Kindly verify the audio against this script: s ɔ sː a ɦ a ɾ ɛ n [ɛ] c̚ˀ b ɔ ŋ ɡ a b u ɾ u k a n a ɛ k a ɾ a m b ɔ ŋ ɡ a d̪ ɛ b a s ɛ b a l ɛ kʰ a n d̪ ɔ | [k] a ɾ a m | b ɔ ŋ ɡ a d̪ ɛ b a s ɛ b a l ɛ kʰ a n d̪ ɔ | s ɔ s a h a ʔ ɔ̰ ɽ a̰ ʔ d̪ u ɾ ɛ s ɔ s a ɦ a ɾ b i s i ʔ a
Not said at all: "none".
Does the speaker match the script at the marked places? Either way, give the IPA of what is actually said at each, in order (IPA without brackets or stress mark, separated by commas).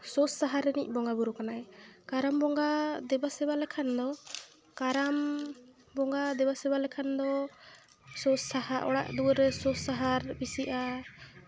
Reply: i, k